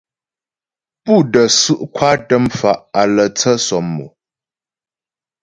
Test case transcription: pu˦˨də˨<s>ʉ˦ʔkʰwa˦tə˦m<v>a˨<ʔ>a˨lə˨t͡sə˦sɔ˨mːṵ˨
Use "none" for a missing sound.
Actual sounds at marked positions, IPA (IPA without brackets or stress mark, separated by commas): s, f, ʔ